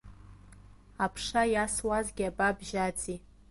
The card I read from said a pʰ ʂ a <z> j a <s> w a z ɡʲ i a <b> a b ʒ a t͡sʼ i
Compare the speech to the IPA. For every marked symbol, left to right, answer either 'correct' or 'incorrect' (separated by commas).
incorrect, correct, correct